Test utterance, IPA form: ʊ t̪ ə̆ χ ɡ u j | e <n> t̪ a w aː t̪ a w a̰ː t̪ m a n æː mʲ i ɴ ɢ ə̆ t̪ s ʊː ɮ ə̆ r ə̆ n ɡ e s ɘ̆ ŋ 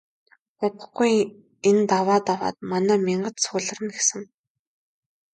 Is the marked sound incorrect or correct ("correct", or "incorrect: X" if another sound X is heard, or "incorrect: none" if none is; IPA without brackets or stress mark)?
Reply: correct